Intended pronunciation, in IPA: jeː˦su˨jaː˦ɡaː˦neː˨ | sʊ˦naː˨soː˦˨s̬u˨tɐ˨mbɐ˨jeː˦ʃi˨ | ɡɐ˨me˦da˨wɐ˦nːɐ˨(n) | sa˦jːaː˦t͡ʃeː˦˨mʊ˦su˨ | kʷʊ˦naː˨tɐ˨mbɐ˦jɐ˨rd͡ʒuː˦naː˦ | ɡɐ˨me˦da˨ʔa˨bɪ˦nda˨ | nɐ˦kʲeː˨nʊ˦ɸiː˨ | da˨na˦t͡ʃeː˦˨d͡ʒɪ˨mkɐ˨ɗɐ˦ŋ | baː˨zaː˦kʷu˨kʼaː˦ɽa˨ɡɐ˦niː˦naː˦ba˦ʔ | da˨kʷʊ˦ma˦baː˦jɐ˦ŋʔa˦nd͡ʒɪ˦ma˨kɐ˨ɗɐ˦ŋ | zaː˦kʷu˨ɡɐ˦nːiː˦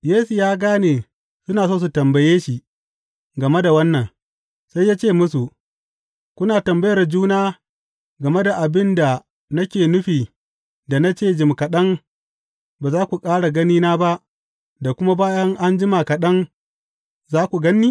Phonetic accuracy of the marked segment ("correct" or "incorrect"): incorrect